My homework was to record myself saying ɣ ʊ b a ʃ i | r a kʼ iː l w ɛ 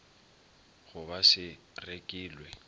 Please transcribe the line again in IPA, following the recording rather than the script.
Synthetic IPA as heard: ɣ ʊ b a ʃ ɪ | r e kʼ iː l w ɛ